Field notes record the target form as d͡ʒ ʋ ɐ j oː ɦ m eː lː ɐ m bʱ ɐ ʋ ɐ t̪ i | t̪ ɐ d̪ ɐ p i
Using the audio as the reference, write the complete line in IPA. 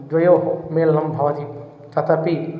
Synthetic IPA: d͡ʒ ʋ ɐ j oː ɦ m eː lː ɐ m bʱ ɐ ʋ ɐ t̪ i | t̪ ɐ t̪ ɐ p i